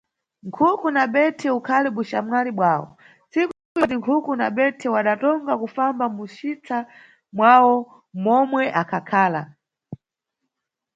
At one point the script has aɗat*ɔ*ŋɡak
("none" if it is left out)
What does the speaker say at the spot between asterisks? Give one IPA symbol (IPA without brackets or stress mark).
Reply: ɔ